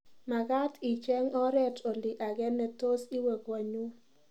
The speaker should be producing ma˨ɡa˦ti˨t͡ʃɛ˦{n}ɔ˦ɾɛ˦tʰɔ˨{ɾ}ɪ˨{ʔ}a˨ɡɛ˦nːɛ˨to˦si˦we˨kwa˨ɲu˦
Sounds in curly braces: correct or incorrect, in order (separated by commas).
incorrect, incorrect, correct